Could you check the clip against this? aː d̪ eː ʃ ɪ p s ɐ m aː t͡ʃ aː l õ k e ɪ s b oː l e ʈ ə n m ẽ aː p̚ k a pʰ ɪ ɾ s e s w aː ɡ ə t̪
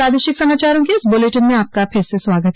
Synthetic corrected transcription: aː d̪ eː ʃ ɪ k s ɐ m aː t͡ʃ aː ɾ õ k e ɪ s b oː l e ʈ ə n m ẽ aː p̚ k a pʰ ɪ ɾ s e s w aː ɡ ə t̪